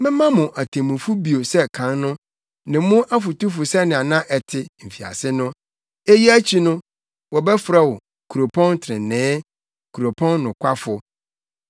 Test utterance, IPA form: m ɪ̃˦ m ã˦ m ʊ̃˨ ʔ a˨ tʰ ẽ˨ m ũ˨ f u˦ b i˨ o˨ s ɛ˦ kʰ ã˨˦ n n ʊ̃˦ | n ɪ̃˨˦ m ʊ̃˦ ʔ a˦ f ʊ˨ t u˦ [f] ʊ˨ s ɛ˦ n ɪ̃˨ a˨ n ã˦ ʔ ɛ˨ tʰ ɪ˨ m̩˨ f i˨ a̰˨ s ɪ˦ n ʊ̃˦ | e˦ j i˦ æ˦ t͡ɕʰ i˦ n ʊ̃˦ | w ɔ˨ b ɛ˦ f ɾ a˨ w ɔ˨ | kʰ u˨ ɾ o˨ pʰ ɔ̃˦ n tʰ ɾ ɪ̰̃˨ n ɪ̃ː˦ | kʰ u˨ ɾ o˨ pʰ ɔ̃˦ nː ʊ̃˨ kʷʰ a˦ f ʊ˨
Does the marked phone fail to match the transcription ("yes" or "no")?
no